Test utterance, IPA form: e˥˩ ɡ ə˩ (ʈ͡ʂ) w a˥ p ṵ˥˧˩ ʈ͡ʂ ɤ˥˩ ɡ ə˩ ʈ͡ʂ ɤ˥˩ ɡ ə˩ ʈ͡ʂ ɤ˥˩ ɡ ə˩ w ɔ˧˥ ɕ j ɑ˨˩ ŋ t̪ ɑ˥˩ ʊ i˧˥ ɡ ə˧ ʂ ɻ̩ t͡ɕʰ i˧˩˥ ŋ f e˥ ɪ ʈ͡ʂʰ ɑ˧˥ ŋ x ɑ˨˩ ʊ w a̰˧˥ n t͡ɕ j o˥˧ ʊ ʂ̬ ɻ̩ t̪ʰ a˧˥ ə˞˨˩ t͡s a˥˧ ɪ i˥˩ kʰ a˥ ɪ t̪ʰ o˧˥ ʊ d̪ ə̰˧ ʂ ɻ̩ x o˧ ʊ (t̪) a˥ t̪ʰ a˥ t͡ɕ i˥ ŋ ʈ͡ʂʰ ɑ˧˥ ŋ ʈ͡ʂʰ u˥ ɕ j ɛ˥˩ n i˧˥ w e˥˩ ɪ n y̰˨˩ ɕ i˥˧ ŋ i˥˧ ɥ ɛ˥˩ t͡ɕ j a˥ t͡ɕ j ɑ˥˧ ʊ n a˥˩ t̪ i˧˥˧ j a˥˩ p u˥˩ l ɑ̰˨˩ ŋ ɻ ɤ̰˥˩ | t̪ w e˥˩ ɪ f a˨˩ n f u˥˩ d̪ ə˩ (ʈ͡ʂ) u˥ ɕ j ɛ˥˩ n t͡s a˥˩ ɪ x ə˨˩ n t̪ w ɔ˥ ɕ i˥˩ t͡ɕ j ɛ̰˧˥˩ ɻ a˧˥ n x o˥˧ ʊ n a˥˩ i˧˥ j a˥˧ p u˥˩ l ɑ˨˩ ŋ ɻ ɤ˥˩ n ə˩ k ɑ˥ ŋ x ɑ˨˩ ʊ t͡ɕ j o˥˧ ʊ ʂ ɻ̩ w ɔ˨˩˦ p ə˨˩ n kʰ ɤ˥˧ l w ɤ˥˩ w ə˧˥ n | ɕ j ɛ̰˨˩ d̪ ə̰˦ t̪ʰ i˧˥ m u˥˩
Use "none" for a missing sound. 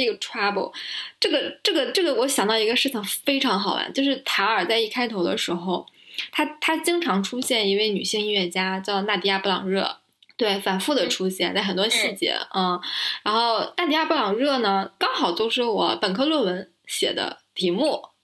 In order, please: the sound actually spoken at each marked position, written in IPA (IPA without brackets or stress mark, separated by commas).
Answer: ʈ͡ʂʰ, t̪ʰ, ʈ͡ʂʰ